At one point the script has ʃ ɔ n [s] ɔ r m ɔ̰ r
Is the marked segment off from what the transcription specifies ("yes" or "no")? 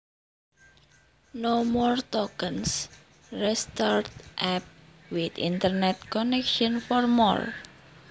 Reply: yes